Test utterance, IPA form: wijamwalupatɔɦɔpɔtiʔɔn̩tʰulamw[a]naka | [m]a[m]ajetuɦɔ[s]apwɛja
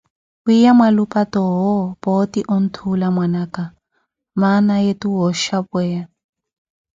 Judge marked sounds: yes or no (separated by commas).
yes, yes, no, no